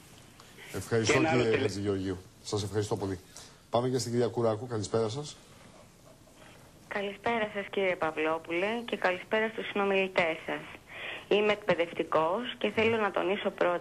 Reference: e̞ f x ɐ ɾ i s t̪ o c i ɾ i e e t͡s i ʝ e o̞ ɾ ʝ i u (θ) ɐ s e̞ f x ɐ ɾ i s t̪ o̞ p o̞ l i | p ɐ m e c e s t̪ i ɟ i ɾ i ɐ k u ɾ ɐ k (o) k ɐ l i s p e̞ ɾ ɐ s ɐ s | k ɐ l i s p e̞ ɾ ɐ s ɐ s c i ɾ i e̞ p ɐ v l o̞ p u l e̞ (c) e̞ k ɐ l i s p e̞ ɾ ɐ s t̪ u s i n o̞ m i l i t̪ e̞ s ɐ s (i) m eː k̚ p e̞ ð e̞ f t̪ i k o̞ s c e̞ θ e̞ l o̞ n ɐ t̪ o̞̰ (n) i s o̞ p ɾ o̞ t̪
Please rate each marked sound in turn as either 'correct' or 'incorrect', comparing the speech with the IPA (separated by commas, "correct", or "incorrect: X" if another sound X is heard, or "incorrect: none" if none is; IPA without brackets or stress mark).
incorrect: s, incorrect: u, correct, correct, correct